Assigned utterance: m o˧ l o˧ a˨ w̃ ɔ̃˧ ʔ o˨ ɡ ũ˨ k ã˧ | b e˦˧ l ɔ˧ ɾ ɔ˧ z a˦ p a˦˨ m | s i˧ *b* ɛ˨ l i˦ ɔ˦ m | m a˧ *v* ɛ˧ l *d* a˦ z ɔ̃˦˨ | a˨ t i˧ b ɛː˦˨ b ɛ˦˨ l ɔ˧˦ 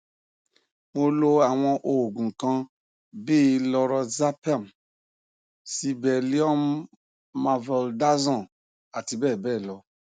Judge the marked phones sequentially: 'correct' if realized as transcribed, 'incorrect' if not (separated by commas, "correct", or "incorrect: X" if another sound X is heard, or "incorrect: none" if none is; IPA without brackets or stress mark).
correct, correct, correct